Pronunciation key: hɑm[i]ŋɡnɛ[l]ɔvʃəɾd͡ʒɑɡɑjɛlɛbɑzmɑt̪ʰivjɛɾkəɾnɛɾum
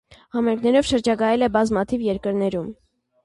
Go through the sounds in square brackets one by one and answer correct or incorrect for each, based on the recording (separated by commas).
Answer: incorrect, incorrect